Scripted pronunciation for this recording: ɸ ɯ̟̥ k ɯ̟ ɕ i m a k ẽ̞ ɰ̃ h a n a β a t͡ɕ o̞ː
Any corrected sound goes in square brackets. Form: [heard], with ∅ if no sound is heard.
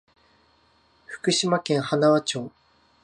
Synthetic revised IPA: ɸ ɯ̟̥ k ɯ̟ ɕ i m a k ẽ̞ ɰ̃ h a n a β a t͡ɕ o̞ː